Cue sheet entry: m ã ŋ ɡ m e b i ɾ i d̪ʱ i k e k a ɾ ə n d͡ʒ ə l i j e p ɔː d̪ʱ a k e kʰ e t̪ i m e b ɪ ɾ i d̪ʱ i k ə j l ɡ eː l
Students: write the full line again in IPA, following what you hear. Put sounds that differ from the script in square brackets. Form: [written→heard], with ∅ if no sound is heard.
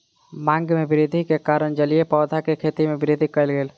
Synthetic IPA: m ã ŋ ɡ m e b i ɾ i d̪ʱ i k e k a ɾ ə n d͡ʒ ə l i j e p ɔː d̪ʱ a k e kʰ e t̪ i m e b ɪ ɾ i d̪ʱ i k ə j l ɡ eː l

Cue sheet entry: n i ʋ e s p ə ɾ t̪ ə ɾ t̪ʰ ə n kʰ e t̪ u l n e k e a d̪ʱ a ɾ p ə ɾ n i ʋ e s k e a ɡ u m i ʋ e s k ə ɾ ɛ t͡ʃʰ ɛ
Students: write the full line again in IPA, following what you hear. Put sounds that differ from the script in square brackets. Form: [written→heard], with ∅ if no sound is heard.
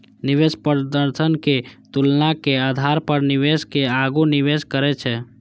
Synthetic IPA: n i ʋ e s p ə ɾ [t̪→d̪] ə ɾ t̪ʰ ə n [kʰ→k] e t̪ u l n [e→a] k e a d̪ʱ a ɾ p ə ɾ n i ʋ e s k e a ɡ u [m→n] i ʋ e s k ə ɾ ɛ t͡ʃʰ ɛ

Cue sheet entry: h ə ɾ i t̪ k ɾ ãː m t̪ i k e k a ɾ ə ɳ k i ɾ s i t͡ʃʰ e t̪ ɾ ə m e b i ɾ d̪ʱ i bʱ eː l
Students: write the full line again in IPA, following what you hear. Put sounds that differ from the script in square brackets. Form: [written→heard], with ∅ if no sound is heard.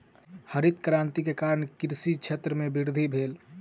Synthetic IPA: h ə ɾ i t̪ k ɾ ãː [m→n] t̪ i k e k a ɾ ə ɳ k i ɾ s i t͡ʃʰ e t̪ ɾ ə m e b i ɾ d̪ʱ i bʱ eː l

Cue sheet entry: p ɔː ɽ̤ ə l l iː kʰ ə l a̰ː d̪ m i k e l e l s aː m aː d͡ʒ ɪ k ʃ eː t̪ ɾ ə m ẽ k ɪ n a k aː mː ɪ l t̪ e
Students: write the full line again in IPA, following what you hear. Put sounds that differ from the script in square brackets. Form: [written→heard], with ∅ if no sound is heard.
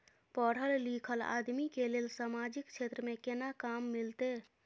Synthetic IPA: p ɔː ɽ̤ ə l l iː kʰ ə l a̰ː d̪ m i k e l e l s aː m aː d͡ʒ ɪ k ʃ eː t̪ ɾ ə m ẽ k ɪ n a k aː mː ɪ l t̪ e

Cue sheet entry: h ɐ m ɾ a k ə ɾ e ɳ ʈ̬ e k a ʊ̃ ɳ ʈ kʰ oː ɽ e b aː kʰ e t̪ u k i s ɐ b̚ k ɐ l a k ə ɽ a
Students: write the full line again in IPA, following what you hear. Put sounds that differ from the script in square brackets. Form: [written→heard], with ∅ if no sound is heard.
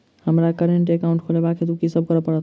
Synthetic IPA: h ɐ m ɾ a k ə ɾ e ɳ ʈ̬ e k a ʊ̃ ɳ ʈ kʰ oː [ɽ→l] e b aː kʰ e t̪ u k i s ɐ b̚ k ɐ [l→ɾ] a [k→p] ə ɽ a

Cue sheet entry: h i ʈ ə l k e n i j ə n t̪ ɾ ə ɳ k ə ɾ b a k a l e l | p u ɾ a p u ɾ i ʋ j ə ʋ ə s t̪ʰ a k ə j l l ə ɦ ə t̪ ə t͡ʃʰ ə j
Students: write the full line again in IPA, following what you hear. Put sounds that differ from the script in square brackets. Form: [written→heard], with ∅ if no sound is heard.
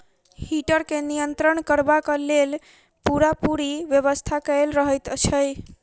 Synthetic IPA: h i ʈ ə [l→ɾ] k e n i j ə n t̪ ɾ ə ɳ k ə ɾ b a k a l e l | p u ɾ a p u ɾ i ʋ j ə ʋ ə s t̪ʰ a k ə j l [l→ɾ] ə ɦ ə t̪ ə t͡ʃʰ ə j

